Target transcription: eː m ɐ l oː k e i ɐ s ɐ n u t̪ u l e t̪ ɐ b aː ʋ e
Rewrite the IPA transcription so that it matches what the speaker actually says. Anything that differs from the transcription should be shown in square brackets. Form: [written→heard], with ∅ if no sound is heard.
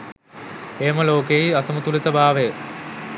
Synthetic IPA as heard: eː m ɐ l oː k e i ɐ s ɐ [n→m] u t̪ u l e t̪ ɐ b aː ʋ e